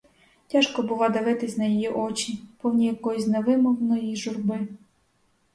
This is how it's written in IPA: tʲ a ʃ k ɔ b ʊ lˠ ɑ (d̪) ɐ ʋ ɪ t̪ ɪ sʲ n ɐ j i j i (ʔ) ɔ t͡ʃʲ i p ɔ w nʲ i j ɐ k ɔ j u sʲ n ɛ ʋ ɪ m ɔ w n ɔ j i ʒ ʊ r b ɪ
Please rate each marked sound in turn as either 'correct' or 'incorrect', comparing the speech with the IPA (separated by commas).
correct, correct